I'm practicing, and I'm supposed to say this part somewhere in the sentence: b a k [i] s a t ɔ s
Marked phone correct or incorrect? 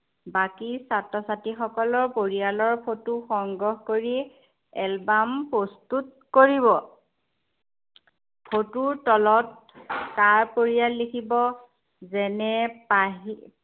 correct